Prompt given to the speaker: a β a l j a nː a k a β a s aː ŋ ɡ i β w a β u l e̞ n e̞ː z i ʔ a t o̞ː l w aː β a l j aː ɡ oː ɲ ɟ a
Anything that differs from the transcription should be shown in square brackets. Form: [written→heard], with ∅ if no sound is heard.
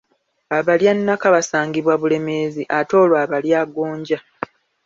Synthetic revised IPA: a β a l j a nː a k a β a s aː ŋ ɡ i β w a β u l e̞ [n→m] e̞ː z i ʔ a t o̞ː l w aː β a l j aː ɡ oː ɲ ɟ a